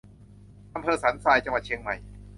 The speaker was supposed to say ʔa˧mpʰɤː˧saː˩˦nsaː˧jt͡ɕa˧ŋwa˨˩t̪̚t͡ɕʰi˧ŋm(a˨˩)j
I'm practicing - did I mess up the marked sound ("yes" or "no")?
no